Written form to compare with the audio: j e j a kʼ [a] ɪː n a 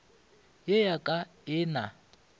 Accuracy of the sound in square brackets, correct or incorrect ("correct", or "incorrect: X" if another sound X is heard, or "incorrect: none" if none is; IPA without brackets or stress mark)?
correct